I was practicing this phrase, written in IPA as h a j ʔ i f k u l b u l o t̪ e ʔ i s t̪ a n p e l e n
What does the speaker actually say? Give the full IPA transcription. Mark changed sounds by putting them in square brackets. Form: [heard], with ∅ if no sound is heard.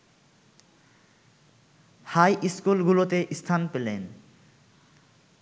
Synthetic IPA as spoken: h a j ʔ i [s] k u l [ɡ] u l o t̪ e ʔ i s [t̪ʰ] a n p e l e n

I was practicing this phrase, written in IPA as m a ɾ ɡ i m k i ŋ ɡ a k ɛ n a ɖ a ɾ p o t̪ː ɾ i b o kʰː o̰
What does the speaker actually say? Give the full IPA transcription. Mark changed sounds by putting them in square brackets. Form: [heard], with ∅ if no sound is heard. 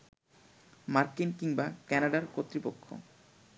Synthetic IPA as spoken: m a ɾ [k] i [n] k i ŋ [b] a k ɛ n a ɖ a ɾ [k] o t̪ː ɾ i [p] o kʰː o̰

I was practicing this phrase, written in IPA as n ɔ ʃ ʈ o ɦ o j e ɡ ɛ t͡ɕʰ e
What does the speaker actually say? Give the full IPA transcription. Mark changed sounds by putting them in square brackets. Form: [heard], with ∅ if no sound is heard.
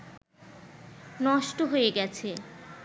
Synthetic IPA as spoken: n ɔ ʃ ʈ o ɦ o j e ɡ ɛ t͡ɕʰ e

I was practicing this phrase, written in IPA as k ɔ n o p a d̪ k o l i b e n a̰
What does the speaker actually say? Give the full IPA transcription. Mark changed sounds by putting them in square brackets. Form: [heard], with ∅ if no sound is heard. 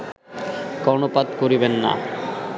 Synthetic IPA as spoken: k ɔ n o p a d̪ k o [ɾ] i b e [nː] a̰

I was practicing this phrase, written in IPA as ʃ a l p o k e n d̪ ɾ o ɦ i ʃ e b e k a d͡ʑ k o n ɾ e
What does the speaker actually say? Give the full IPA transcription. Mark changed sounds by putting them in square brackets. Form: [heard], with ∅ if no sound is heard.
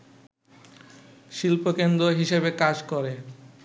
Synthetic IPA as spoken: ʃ [i] l p o k e n d̪ ɾ o ɦ i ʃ e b e k a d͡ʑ k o [∅] ɾ e

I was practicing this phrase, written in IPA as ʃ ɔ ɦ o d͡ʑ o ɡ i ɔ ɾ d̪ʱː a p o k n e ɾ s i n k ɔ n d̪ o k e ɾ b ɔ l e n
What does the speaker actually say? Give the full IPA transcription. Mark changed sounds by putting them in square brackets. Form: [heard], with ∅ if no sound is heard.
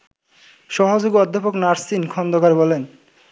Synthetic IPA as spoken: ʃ ɔ ɦ o d͡ʑ o ɡ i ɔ [∅] d̪ʱː a p o k n [a] ɾ s i n [kʰ] ɔ n d̪ o k [a] ɾ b ɔ l e n

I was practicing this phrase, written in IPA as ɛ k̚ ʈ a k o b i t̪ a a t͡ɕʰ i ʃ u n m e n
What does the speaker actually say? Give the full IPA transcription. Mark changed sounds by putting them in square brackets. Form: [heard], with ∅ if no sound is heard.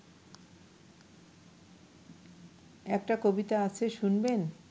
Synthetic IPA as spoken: ɛ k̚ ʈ a k o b i t̪ a a t͡ɕʰ [e] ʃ u n [b] e n

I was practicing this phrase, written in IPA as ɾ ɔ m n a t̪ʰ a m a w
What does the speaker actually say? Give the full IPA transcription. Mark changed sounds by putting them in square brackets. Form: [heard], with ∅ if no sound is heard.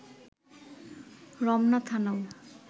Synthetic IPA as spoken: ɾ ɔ m n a t̪ʰ a [n] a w

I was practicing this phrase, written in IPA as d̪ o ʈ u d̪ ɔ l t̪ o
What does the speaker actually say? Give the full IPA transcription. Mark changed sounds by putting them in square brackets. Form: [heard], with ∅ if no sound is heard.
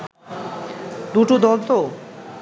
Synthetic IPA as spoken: d̪ [u] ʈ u d̪ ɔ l t̪ o

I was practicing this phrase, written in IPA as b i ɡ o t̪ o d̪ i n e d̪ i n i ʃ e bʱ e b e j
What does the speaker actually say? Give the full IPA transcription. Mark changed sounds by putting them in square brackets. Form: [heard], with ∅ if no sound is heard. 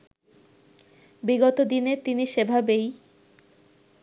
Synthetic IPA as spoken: b i ɡ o t̪ o d̪ i n e [t̪] i n i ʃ e bʱ [a] b e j

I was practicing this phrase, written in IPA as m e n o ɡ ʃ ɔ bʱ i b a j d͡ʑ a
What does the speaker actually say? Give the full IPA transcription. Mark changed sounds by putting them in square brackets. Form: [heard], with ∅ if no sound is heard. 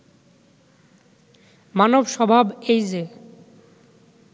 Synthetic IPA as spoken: m [a] n o [b] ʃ ɔ bʱ [a] b [e] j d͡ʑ [e]

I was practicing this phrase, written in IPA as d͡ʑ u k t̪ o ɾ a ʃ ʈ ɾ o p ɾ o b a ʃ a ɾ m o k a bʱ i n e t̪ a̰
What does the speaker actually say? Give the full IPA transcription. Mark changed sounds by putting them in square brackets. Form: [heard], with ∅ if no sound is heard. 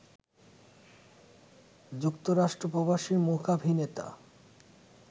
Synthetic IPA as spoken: d͡ʑ u k t̪ o ɾ a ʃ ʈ ɾ o p ɾ o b a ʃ [i] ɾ m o k a bʱ i n e t̪ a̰

